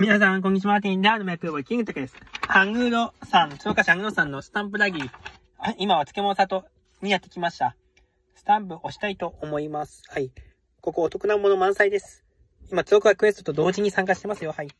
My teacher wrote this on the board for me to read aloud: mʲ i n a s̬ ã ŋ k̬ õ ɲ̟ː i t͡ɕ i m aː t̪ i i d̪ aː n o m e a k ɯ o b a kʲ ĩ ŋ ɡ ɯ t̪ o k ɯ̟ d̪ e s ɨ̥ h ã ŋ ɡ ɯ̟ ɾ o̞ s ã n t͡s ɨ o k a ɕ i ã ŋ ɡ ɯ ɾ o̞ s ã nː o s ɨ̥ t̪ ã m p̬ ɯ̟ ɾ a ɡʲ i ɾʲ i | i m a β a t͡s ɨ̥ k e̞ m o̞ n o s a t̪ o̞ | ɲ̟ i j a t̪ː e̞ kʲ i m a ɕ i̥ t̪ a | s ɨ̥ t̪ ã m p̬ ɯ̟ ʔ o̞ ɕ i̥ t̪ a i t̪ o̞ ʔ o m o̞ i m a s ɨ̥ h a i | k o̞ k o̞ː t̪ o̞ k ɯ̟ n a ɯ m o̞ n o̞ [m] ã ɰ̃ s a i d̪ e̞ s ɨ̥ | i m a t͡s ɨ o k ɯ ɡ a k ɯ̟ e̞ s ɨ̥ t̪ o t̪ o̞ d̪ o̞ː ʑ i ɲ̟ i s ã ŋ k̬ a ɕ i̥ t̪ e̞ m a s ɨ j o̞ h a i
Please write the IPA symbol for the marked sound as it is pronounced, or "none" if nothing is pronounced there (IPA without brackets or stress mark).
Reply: m